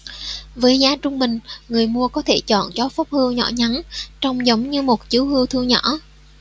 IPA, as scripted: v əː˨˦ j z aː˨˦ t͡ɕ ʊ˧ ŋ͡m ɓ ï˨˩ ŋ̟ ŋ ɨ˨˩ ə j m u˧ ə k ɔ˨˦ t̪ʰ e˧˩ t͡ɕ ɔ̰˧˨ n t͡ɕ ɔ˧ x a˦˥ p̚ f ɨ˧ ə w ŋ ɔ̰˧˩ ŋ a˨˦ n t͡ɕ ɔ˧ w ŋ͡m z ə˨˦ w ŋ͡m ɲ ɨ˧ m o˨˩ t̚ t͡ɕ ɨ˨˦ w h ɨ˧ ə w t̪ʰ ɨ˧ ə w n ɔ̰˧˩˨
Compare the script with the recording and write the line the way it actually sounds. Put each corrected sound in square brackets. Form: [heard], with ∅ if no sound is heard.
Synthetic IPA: v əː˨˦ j z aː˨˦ t͡ɕ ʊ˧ ŋ͡m ɓ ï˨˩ ŋ̟ ŋ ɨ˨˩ ə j m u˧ ə k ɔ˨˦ t̪ʰ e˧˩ t͡ɕ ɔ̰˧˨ n t͡ɕ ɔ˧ [f] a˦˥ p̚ [h] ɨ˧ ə w [ɲ] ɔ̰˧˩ [ɲ] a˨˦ n t͡ɕ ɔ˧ w ŋ͡m z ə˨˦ w ŋ͡m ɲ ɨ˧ m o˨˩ t̚ t͡ɕ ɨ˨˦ w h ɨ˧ ə w t̪ʰ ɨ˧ ə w [ɲ] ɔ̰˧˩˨